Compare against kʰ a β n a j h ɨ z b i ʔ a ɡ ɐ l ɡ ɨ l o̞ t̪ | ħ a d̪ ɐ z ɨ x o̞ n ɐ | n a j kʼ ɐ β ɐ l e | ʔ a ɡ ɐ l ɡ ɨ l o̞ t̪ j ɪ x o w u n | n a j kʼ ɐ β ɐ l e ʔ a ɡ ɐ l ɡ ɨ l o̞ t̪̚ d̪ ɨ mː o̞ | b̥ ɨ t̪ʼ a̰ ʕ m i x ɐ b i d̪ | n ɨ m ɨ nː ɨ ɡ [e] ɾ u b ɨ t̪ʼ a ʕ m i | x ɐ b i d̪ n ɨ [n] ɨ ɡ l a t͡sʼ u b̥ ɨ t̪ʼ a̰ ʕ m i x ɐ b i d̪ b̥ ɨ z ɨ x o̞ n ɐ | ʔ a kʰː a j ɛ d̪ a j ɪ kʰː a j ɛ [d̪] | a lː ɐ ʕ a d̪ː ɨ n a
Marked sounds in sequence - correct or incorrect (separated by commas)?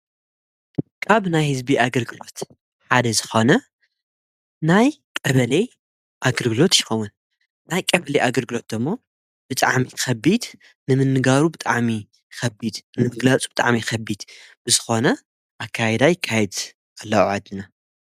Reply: incorrect, incorrect, correct